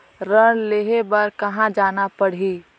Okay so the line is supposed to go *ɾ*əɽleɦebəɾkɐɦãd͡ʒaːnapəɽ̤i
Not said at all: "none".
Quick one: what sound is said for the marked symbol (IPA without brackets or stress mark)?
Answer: ɾ